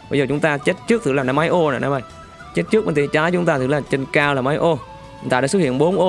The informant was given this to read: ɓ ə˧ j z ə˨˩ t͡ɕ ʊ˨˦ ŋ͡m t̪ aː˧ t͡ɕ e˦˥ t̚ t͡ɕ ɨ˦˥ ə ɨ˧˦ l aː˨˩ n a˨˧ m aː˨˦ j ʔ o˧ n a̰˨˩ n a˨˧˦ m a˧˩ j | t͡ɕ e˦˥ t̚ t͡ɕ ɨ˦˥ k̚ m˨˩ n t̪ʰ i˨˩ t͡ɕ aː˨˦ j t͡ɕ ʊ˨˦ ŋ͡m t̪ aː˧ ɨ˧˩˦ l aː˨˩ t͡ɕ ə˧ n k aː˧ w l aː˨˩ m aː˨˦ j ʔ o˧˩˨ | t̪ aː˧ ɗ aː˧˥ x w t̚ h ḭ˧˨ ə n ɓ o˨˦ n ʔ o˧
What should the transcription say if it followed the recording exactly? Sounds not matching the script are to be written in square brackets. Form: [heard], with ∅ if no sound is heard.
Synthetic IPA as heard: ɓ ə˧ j z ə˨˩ t͡ɕ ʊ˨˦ ŋ͡m t̪ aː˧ t͡ɕ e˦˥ t̚ t͡ɕ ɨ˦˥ ə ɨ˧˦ l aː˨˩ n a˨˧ m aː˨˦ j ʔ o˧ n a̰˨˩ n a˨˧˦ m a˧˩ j | t͡ɕ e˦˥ t̚ t͡ɕ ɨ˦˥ k̚ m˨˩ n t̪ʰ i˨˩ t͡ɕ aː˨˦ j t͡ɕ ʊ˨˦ ŋ͡m t̪ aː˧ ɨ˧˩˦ l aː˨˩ t͡ɕ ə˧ n k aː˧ w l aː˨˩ m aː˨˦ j ʔ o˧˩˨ | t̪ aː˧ ɗ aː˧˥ [s] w t̚ h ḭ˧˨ ə n ɓ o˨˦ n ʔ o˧